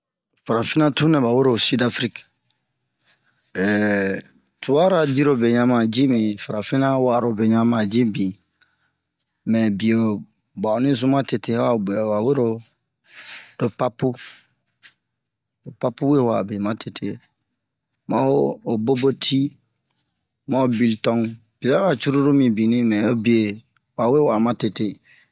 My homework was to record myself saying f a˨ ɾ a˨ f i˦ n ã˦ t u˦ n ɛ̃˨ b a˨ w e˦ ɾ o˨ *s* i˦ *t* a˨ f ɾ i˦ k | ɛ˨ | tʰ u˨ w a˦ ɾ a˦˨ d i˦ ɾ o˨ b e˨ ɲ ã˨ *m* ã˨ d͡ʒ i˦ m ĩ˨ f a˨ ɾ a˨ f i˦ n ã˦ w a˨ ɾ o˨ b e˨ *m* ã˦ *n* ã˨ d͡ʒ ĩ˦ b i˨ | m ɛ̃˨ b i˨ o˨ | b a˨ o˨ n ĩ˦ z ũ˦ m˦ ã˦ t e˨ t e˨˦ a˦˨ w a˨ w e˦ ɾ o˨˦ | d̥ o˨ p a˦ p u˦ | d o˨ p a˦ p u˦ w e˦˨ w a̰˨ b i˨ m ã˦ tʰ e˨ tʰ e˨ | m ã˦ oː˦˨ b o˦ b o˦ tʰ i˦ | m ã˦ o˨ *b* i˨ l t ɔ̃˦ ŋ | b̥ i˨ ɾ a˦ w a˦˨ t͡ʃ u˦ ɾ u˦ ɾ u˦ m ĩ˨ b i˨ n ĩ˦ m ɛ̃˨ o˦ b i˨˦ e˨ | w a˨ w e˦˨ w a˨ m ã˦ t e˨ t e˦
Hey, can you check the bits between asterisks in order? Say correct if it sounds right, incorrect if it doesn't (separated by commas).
correct, incorrect, correct, incorrect, incorrect, correct